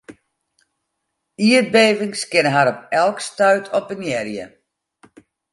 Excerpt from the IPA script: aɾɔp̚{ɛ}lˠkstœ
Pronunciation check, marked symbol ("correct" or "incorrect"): correct